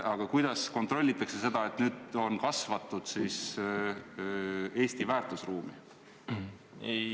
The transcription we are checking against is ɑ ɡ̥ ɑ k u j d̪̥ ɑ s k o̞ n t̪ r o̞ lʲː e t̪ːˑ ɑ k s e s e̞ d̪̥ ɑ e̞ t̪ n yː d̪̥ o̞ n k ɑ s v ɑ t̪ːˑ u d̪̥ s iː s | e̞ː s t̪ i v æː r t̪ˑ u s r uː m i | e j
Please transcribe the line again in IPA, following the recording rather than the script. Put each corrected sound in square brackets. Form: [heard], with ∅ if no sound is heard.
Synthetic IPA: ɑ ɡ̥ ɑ k u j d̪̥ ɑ s k o̞ n t̪ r o̞ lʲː [i] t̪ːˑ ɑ k s e s e̞ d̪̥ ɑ e̞ t̪ n yː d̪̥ o̞ n k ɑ s v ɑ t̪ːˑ u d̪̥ s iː s | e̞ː s t̪ i v æː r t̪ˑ u s r uː m i | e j